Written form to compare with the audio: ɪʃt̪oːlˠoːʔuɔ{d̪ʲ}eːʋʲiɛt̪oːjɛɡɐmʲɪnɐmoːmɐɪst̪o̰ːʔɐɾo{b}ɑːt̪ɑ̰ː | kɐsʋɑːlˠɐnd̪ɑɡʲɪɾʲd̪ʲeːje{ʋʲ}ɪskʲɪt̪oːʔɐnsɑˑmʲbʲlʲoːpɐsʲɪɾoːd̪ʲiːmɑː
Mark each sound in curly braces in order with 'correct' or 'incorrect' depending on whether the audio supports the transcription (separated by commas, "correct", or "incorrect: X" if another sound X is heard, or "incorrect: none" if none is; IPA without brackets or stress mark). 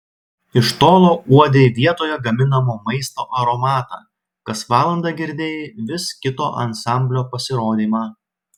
correct, incorrect: m, correct